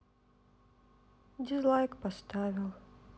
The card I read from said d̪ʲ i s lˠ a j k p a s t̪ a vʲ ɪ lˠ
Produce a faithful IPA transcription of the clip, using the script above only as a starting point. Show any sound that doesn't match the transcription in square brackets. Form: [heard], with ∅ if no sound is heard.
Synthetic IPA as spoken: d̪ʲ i [z] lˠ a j k p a s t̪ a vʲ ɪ lˠ